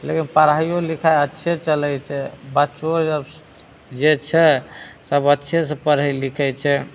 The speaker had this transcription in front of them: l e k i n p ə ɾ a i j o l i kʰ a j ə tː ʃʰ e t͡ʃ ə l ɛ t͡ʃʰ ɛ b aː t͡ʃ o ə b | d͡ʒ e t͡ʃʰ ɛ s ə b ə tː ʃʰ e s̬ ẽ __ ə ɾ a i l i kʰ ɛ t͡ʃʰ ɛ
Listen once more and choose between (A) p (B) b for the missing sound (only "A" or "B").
A